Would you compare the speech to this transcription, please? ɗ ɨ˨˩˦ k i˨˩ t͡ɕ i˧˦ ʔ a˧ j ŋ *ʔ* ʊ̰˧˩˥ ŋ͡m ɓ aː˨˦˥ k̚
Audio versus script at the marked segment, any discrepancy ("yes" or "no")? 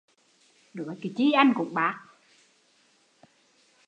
yes